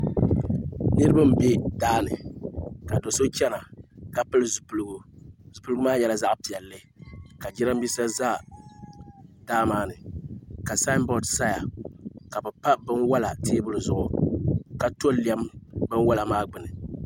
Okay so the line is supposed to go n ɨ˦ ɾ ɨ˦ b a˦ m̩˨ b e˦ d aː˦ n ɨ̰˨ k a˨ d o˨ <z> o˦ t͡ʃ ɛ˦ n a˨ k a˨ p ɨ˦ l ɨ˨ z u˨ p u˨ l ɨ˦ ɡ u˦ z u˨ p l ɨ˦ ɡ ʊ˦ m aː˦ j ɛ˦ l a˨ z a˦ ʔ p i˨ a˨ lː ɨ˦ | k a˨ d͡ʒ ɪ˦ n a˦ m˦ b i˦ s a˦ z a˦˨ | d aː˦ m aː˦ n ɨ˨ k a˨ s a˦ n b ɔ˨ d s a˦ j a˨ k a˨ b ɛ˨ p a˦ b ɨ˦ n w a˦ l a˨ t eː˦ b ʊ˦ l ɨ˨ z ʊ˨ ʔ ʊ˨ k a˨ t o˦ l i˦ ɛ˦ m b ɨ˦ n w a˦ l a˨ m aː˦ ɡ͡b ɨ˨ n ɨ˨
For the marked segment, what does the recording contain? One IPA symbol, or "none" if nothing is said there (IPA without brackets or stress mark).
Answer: s